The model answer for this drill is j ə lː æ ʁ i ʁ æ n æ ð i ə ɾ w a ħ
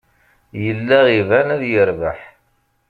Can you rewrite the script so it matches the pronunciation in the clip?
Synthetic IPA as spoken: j ə lː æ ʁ i v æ n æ ð j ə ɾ v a ħ